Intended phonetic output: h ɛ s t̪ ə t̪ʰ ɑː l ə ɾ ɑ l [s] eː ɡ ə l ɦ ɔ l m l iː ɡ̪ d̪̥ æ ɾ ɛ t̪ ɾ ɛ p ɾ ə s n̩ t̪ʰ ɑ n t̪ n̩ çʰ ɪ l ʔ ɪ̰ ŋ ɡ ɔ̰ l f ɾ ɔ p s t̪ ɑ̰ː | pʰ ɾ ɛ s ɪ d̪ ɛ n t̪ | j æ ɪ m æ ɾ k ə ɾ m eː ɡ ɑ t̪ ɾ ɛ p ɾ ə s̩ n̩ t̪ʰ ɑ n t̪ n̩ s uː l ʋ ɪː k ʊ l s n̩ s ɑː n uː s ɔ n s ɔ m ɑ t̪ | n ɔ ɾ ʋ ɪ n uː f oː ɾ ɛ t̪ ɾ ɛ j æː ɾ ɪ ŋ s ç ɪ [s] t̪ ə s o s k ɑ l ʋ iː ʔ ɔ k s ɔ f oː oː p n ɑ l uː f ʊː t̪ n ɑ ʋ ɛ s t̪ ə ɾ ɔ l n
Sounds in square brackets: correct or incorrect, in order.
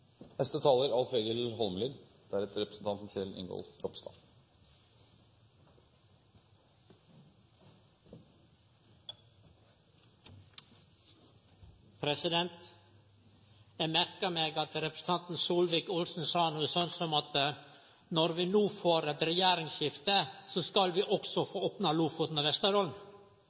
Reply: incorrect: f, incorrect: f

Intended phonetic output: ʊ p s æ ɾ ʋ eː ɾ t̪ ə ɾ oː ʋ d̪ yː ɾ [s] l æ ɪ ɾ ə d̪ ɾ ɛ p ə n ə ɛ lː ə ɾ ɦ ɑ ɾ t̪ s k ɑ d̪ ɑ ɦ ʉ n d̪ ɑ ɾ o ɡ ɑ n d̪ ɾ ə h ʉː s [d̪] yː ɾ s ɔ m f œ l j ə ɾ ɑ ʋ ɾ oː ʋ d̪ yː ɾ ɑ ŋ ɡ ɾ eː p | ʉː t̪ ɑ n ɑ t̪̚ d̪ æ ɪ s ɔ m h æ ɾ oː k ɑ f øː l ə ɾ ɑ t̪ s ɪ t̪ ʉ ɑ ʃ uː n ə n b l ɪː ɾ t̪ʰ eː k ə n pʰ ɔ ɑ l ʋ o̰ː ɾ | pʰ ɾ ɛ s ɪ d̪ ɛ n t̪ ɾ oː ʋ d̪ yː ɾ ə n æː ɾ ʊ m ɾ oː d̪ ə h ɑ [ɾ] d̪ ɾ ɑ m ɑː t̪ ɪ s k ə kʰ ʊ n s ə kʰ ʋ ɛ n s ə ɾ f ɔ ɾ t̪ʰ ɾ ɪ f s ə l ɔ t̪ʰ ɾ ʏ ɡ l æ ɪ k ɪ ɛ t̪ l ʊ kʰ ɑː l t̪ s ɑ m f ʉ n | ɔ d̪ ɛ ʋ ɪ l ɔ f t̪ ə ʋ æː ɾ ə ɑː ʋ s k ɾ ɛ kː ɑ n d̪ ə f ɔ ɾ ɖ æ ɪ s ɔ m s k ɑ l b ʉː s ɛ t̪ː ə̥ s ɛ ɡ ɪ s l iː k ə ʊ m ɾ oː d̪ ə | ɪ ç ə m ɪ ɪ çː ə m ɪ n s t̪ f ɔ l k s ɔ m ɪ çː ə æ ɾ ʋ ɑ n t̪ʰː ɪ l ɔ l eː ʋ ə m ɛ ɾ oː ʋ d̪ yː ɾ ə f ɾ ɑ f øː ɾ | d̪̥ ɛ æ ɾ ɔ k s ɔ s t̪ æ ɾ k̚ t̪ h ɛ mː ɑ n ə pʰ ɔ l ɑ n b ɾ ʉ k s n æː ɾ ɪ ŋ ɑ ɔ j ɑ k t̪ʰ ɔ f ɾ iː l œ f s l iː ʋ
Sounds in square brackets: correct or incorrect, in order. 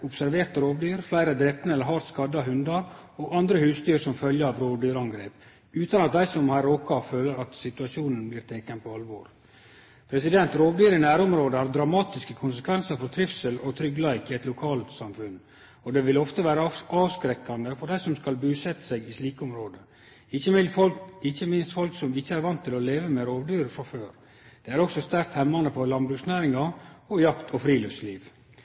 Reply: incorrect: f, incorrect: t̪, correct

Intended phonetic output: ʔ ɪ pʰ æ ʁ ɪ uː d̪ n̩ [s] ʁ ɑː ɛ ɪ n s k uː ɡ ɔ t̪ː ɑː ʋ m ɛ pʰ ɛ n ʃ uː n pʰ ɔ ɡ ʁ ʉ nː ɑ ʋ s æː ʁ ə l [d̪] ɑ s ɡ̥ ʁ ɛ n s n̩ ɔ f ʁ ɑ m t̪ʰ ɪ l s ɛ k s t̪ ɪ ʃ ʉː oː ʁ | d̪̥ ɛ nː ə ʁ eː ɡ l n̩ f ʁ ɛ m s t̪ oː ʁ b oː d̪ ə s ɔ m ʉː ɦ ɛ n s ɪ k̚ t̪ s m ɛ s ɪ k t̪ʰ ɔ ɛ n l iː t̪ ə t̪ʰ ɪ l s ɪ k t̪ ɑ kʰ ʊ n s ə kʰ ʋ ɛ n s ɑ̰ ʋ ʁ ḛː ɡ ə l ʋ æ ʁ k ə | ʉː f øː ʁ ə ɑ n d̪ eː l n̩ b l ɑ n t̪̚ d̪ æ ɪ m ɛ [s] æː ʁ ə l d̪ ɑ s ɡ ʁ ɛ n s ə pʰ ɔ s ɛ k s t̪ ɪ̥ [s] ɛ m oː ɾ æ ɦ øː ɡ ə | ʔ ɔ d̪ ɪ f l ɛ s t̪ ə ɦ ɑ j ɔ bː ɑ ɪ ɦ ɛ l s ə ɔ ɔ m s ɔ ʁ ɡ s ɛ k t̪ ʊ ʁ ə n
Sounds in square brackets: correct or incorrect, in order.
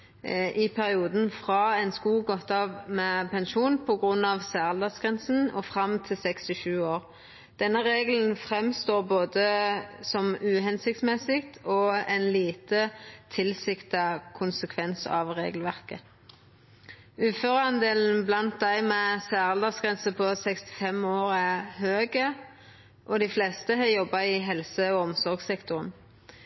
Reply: incorrect: f, correct, correct, incorrect: f

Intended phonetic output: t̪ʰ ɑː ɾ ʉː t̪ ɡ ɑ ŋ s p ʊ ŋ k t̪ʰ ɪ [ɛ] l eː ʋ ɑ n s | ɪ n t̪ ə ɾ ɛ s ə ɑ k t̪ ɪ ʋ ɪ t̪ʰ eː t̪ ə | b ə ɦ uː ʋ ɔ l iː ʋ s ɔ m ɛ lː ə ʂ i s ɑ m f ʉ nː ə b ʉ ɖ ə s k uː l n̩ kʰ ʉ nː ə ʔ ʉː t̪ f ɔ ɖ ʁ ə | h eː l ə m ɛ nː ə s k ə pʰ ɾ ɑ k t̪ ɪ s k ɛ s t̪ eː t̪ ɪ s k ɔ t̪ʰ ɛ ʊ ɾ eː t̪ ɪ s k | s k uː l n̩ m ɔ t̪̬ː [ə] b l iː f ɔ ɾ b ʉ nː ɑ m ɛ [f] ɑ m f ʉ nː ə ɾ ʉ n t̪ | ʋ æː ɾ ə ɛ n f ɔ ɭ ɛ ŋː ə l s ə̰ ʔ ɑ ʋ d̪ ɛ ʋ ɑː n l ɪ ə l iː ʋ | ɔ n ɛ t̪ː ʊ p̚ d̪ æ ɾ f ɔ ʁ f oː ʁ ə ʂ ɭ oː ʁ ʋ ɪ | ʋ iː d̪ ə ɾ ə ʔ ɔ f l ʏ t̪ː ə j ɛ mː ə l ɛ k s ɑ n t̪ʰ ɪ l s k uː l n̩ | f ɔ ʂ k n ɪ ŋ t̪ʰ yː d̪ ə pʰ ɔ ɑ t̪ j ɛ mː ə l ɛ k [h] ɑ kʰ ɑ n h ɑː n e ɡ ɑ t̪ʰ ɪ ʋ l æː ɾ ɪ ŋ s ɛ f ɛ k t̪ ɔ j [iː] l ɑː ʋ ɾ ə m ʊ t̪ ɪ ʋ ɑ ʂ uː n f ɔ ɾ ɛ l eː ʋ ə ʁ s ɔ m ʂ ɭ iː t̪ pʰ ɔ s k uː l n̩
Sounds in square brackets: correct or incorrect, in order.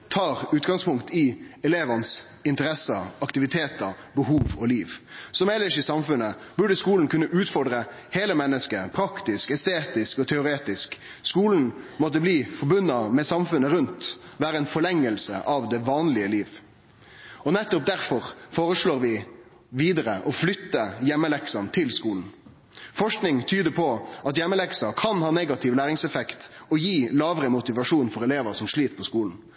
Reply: correct, correct, incorrect: s, incorrect: s, correct

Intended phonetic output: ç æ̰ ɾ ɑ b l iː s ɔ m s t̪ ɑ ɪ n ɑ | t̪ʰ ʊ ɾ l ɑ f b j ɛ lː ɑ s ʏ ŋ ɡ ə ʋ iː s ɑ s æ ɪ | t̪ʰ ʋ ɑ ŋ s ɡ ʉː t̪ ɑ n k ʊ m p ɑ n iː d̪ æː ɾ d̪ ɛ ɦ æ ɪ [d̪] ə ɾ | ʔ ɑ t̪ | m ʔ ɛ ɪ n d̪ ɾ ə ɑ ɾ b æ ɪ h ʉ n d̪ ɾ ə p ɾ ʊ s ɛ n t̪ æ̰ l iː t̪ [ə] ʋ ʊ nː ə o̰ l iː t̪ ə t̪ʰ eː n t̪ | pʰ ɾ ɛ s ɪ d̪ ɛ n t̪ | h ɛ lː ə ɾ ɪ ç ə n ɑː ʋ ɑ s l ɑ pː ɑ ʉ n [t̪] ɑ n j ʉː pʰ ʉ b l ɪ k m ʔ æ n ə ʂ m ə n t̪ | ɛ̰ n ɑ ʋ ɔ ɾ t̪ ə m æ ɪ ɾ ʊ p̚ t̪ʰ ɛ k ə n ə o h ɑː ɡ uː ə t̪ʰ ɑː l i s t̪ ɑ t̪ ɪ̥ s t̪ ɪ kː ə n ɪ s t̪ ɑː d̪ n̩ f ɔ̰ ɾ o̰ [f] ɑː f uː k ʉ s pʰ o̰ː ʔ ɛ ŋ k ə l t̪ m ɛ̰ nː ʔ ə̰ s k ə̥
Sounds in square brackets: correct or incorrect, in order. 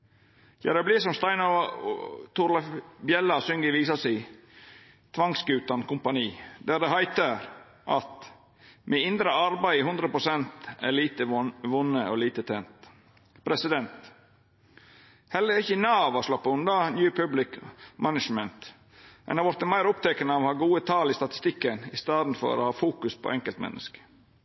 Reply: incorrect: t̪, correct, incorrect: d̪, incorrect: h

